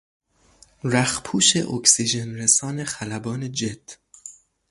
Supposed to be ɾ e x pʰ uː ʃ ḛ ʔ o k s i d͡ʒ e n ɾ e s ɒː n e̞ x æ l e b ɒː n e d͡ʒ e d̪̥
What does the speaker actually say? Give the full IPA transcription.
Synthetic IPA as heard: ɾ æ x pʰ uː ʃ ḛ ʔ o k s i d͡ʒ e n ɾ e s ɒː n e̞ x æ l æ b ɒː n e d͡ʒ e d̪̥